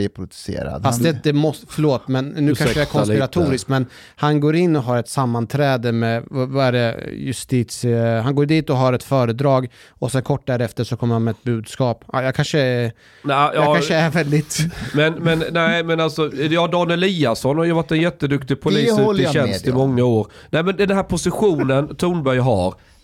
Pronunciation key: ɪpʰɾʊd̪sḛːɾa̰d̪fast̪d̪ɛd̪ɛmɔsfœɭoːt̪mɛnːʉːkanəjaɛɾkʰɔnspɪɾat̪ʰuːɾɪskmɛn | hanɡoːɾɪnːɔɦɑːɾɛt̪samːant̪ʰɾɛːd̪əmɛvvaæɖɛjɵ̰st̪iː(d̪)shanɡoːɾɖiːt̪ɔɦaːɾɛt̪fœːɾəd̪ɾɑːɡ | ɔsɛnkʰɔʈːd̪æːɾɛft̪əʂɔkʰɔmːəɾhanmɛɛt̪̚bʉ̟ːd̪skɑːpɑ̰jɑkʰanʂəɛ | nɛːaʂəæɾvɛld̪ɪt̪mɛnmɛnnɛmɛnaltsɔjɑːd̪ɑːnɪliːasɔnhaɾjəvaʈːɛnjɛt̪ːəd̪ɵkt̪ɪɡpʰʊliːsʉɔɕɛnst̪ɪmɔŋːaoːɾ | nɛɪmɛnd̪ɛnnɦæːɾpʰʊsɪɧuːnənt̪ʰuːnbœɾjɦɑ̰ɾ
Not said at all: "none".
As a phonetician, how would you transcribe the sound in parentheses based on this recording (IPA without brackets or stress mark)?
t̪